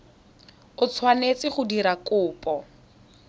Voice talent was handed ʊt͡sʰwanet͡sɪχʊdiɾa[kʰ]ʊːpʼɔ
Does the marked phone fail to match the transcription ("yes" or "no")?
yes